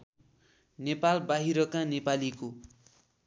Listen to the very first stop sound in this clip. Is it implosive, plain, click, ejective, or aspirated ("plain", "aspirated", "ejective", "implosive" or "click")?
plain